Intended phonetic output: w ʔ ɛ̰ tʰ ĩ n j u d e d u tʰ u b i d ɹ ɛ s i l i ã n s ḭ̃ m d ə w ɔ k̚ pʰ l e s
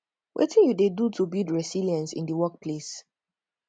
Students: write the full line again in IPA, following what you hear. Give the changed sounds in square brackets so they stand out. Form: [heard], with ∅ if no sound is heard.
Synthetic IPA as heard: w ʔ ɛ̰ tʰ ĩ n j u d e d u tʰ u b i d ɹ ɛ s i l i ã n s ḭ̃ [n] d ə w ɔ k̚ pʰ l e s